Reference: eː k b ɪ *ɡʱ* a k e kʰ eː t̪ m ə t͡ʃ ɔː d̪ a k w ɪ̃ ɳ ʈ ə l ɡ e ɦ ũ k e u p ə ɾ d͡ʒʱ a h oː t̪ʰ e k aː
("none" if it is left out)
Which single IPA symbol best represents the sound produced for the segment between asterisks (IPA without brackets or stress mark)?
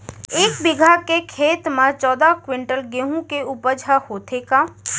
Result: ɡʱ